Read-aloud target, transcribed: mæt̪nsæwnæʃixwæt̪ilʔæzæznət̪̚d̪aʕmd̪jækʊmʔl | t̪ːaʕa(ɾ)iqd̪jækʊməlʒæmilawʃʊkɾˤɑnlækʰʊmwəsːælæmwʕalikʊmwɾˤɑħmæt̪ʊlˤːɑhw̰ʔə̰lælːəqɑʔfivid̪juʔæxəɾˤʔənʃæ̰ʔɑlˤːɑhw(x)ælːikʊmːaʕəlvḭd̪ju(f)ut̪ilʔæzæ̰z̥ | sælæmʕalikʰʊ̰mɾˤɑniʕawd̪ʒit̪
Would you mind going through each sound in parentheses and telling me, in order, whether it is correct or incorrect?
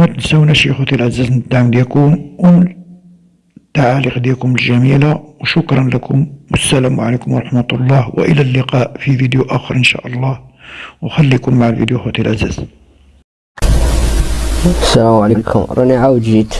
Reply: incorrect: l, correct, incorrect: x

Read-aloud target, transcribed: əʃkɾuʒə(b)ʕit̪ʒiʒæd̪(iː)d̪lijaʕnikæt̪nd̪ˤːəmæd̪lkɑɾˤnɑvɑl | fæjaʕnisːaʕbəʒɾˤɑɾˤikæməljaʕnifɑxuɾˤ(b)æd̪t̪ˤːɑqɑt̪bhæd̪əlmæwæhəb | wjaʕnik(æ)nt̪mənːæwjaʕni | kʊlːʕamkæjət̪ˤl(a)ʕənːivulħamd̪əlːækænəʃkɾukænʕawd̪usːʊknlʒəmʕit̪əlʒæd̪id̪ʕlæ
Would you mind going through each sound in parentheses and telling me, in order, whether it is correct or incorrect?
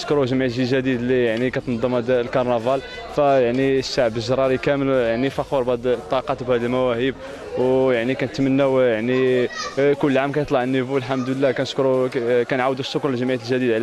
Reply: incorrect: m, incorrect: i, correct, correct, incorrect: ɑ

